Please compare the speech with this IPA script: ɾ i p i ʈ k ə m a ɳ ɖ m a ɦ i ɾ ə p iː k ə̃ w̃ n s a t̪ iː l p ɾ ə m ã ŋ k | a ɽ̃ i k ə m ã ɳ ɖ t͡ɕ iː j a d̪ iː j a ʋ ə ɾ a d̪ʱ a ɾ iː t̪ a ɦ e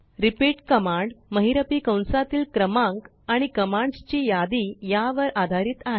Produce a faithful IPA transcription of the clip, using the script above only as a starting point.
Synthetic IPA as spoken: ɾ i p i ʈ k ə m a ɳ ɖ m ə ɦ i ɾ ə p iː k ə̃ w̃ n s a t̪ iː l k ɾ ə m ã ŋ k | a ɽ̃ i k ə m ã ɳ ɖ t͡ɕ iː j a d̪ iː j a ʋ ə ɾ a d̪ʱ a ɾ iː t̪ a ɦ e